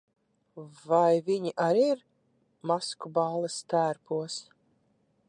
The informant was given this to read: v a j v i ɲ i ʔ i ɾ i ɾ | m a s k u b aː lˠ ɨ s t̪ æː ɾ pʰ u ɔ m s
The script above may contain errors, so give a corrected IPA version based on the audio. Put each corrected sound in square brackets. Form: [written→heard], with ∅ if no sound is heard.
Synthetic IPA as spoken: v a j v i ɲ i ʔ [i→a] ɾ i ɾ | m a s k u b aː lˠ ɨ s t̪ æː ɾ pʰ u ɔ [m→∅] s